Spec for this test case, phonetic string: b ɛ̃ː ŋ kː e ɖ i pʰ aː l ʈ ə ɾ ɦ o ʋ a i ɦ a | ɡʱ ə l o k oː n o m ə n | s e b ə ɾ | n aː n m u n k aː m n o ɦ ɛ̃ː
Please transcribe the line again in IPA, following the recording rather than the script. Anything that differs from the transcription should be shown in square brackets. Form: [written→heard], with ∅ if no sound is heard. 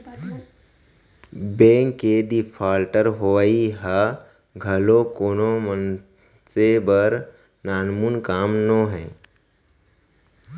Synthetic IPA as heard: b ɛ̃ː ŋ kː e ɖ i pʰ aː l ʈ ə ɾ ɦ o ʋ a i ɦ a | ɡʱ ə l o k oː n o m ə n | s e b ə ɾ | n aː n m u n k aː m n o ɦ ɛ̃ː